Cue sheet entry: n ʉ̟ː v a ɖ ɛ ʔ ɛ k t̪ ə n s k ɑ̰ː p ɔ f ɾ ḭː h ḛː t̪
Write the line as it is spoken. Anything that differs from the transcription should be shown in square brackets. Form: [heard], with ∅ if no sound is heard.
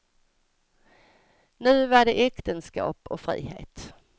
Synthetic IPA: n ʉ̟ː v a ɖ ɛ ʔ ɛ k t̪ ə n s k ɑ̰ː p ɔ f ɾ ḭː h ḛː t̪